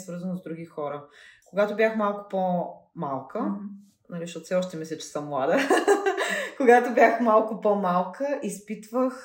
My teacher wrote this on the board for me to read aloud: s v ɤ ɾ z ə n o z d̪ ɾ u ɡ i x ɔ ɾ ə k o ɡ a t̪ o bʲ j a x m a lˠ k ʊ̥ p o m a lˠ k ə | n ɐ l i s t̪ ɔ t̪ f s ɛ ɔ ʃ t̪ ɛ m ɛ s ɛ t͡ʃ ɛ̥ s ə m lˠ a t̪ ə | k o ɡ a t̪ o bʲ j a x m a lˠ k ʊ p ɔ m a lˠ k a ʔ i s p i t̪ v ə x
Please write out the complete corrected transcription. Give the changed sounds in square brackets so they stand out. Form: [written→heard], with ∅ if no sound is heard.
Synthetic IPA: s v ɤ ɾ z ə n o z d̪ ɾ u ɡ i x ɔ ɾ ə k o ɡ a t̪ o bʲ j a x m a lˠ k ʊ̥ p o m a lˠ k ə | n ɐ l i [s→ʃ] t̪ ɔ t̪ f s ɛ ɔ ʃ t̪ ɛ m ɛ s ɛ t͡ʃ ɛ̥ s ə m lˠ a [t̪→d̪] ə | k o ɡ a t̪ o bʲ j a x m a lˠ k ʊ p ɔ m a lˠ k [a→ə] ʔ i s p i t̪ v ə x